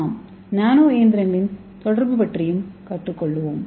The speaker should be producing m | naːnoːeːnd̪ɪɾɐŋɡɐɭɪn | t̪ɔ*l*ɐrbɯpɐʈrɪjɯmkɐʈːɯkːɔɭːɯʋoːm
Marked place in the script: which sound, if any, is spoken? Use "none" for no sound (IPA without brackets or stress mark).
ɽ